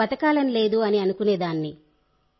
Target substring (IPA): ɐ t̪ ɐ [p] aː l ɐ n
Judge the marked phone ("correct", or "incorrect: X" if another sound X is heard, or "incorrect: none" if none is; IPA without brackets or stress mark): incorrect: k